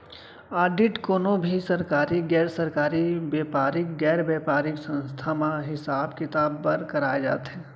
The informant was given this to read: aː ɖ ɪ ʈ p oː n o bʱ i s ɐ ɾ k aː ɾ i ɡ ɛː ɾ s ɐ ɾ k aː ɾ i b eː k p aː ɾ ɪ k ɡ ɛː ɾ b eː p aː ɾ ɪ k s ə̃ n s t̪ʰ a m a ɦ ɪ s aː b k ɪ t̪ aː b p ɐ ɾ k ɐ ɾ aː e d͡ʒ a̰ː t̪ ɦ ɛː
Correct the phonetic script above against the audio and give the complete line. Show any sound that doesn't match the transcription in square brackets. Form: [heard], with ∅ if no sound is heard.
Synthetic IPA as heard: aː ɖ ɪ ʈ [k] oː n o bʱ i s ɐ ɾ k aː ɾ i ɡ ɛː ɾ s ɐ ɾ k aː ɾ i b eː [∅] p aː ɾ ɪ k ɡ ɛː ɾ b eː p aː ɾ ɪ k s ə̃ n s t̪ʰ a m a ɦ ɪ s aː b k ɪ t̪ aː b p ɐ ɾ k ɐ ɾ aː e d͡ʒ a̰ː t̪ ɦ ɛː